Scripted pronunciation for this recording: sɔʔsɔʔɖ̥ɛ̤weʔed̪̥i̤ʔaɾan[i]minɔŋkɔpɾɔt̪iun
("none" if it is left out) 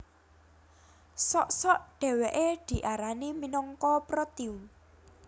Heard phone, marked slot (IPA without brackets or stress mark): i